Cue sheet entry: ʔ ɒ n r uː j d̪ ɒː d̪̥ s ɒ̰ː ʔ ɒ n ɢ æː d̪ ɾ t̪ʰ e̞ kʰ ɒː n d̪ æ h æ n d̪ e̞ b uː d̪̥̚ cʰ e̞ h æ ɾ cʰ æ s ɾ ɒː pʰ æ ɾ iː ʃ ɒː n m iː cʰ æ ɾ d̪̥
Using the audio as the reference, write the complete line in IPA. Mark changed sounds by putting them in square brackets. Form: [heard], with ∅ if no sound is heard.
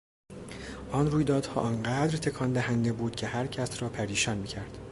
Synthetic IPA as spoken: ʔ ɒ n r uː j d̪ ɒː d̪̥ [h] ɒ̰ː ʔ ɒ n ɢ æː d̪ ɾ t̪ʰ e̞ kʰ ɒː n d̪ æ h æ n d̪ e̞ b uː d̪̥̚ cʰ e̞ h æ ɾ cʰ æ s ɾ ɒː pʰ æ ɾ iː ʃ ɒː n m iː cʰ æ ɾ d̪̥